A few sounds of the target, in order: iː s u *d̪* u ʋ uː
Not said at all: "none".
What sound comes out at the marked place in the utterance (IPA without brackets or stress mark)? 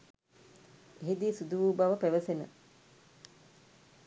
d̪